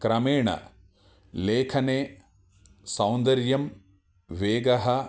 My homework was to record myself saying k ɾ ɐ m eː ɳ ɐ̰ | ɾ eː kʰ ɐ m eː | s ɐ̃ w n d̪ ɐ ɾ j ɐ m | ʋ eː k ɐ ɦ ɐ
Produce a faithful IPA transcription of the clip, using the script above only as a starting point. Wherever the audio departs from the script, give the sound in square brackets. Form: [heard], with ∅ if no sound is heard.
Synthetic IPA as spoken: k ɾ ɐ m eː ɳ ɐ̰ | [l] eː kʰ ɐ [n] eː | s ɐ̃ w n d̪ ɐ ɾ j ɐ m | ʋ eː [ɡ] ɐ ɦ ɐ